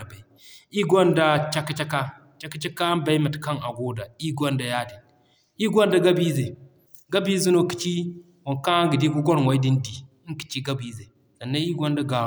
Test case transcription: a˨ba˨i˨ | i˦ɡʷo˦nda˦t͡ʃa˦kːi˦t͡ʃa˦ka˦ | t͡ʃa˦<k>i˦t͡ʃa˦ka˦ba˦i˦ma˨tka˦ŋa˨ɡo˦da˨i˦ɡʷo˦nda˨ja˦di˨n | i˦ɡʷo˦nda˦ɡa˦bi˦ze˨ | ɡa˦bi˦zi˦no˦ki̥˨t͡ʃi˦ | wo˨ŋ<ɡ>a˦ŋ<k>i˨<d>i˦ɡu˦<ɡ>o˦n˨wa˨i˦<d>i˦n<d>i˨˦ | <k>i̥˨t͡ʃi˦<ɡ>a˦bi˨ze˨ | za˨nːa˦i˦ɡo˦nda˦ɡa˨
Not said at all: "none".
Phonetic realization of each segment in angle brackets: k, k, ɡ, d, ɡ, d, d, k, ɡ

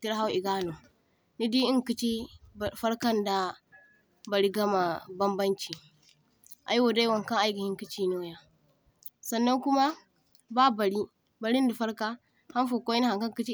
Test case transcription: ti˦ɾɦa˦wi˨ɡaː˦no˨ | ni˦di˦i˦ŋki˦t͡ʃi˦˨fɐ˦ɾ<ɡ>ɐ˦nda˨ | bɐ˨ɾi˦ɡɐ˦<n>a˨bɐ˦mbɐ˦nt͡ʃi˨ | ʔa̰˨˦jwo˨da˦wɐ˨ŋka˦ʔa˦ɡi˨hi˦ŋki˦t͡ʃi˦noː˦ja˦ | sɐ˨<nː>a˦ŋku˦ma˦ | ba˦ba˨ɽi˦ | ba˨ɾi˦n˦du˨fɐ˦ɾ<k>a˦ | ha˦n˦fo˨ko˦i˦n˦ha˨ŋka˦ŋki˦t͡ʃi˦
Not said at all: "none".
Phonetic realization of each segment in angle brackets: k, m, nː, k

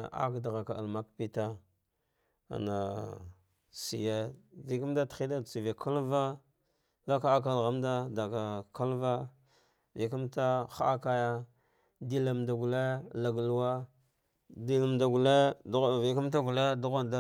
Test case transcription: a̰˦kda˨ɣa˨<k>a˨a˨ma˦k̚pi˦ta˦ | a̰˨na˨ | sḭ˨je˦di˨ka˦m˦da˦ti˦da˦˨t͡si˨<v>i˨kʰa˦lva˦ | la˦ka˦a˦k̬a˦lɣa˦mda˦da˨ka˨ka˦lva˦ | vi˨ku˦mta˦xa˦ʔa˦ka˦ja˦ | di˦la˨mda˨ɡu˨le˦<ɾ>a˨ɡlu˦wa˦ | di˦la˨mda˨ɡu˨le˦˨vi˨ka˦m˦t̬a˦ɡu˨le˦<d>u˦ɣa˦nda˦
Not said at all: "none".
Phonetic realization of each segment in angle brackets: k, v, l, d

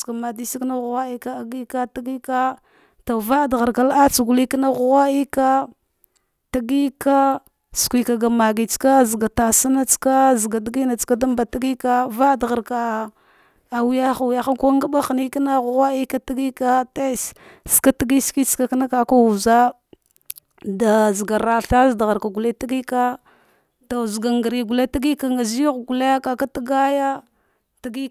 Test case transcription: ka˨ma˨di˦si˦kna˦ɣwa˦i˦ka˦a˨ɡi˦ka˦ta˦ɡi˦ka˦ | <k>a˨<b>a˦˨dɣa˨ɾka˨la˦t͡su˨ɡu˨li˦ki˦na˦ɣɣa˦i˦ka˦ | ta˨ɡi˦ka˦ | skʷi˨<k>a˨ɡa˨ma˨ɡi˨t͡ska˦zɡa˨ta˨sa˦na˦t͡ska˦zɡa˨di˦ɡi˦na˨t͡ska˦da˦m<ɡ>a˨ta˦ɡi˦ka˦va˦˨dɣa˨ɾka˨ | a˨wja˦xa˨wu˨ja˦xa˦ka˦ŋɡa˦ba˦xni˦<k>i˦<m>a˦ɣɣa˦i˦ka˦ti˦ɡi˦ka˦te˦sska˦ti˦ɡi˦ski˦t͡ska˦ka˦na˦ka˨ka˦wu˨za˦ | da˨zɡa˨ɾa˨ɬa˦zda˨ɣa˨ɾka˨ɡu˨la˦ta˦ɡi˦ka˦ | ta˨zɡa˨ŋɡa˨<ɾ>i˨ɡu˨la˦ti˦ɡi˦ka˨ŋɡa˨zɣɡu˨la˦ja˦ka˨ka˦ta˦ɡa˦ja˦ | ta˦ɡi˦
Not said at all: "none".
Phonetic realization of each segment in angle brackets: t, v, k, b, k, n, ɾ

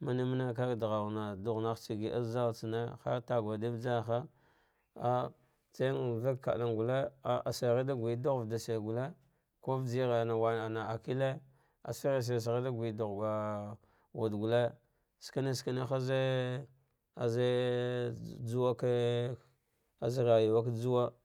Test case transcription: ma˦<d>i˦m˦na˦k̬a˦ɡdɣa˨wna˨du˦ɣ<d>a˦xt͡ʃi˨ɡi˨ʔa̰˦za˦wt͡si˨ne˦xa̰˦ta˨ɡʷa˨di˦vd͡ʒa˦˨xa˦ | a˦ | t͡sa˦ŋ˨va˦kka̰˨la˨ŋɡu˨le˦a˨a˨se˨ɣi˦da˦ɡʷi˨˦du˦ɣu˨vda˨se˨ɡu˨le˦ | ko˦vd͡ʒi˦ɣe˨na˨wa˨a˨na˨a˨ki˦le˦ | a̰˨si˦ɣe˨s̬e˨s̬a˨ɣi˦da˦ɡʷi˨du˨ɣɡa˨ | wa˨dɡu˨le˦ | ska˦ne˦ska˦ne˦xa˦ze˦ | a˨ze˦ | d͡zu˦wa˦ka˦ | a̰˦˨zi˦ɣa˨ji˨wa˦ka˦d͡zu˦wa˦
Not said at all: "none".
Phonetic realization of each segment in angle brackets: n, n

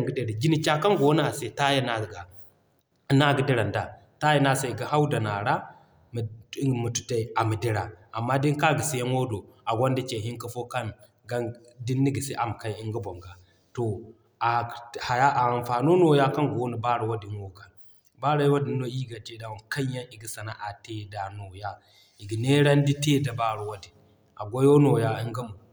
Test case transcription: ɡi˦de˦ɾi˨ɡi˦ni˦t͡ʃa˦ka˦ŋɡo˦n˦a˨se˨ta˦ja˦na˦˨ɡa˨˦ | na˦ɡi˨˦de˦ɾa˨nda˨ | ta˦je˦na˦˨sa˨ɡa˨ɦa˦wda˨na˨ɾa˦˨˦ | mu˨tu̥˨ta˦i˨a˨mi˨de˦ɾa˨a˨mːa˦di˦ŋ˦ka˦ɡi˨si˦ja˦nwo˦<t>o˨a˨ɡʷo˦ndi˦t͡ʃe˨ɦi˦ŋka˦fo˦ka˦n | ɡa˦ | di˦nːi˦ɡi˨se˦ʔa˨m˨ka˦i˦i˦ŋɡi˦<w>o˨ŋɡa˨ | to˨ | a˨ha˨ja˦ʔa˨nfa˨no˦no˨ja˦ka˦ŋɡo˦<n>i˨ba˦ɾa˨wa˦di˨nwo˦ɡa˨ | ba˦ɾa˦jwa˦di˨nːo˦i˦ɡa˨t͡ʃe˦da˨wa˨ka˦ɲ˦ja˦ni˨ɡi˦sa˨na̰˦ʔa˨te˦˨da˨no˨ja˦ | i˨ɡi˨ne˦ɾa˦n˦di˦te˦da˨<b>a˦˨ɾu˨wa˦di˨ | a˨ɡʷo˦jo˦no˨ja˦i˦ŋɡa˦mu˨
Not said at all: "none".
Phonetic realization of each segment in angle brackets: d, b, n, b

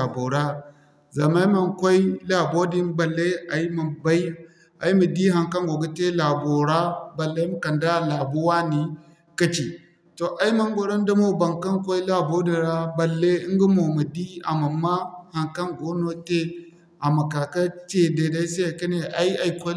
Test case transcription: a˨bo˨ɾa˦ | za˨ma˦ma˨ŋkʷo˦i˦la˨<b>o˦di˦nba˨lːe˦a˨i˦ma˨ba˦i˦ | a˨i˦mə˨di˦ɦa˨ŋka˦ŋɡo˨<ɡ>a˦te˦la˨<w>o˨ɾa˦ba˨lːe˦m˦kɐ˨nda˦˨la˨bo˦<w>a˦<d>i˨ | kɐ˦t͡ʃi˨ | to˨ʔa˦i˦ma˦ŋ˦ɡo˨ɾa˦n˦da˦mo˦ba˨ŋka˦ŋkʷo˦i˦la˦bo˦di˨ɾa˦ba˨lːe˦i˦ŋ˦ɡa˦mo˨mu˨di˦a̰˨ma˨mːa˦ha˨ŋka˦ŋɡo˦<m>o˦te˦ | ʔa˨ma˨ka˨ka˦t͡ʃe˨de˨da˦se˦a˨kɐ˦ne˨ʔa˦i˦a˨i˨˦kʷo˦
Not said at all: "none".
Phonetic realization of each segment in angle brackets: b, ɡ, b, w, n, n

